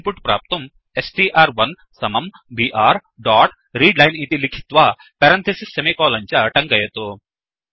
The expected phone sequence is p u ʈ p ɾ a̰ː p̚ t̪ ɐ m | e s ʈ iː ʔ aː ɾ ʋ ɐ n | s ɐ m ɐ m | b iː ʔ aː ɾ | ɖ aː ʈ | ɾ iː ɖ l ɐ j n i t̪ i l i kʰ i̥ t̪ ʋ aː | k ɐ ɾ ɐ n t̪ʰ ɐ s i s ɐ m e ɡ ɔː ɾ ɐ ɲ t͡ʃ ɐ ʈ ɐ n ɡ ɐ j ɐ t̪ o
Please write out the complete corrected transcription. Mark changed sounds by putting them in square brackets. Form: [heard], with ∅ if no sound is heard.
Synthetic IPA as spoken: p u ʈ p ɾ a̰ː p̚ t̪ ɐ m | e s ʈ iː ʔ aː ɾ ʋ ɐ n | s ɐ m ɐ m | b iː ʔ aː ɾ | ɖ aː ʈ | ɾ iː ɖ l ɐ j n i t̪ i l i kʰ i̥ t̪ ʋ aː | [p] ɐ ɾ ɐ n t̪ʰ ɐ s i s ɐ m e [k] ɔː [l] ɐ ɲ t͡ʃ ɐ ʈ ɐ [ŋ] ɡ ɐ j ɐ t̪ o